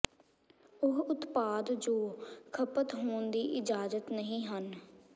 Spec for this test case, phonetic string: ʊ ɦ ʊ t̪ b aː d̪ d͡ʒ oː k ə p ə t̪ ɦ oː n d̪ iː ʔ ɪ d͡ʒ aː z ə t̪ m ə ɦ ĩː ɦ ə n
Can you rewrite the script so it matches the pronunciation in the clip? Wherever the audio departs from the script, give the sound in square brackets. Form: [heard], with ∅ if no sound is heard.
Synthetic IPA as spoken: ʊ ɦ ʊ t̪ [p] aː d̪ d͡ʒ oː [kʰ] ə p ə t̪ ɦ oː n d̪ iː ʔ ɪ d͡ʒ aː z ə t̪ [n] ə ɦ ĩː ɦ ə n